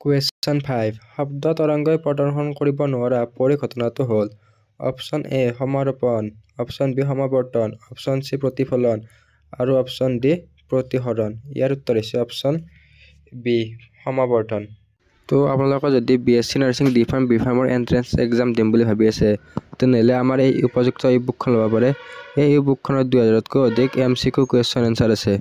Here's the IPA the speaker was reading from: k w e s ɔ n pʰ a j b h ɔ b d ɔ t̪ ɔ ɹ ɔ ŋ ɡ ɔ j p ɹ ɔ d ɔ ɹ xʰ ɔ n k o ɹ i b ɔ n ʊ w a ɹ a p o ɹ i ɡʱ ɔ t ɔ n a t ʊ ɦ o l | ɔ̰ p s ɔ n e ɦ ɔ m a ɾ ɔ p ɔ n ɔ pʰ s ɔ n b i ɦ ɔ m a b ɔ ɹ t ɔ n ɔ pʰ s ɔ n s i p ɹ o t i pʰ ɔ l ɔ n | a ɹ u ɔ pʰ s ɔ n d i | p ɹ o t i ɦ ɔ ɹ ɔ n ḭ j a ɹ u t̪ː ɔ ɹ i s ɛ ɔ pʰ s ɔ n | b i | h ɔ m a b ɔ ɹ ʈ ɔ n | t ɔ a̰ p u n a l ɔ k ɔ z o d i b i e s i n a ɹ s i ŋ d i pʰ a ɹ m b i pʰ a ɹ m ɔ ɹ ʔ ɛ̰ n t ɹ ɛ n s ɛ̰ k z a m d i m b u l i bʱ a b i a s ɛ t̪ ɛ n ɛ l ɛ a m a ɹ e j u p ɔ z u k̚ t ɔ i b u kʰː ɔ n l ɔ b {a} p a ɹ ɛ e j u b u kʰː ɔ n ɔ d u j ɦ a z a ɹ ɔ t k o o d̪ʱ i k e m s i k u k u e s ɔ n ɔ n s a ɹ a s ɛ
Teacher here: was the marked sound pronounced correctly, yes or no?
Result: yes